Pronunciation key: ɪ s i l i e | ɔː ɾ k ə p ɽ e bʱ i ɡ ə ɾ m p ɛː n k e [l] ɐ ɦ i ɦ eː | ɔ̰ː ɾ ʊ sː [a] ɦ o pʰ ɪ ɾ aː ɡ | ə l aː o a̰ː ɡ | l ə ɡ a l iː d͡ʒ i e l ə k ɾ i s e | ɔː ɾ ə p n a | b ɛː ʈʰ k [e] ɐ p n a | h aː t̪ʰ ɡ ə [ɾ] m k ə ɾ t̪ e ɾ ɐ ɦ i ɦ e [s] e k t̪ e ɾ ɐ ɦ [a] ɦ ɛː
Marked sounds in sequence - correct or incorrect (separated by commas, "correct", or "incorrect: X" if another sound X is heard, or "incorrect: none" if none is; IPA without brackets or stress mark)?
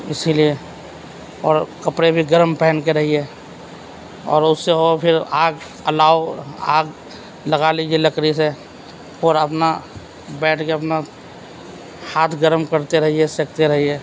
incorrect: ɾ, incorrect: e, correct, correct, correct, incorrect: i